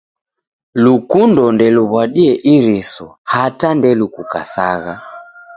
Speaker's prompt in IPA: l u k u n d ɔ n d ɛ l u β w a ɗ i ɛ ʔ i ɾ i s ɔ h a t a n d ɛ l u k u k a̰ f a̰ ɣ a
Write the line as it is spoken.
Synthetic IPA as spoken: l u k u n d ɔ n d ɛ l u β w a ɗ i ɛ ʔ i ɾ i s ɔ h a t a n d ɛ l u k u k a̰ s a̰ ɣ a